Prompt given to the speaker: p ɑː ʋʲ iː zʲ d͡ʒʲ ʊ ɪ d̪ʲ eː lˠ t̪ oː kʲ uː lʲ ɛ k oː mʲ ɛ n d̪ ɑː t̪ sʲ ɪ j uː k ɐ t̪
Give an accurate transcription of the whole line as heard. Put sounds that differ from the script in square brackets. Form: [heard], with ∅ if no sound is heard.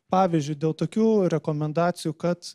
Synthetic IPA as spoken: p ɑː ʋʲ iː zʲ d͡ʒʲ ʊ ɪ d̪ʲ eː lˠ t̪ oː kʲ uː [ɾʲ] ɛ k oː mʲ ɛ n d̪ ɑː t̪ sʲ ɪ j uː k ɐ t̪